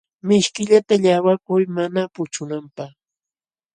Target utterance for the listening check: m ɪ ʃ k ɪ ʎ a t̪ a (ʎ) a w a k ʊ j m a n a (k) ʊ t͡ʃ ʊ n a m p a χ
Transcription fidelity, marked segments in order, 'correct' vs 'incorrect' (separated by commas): correct, incorrect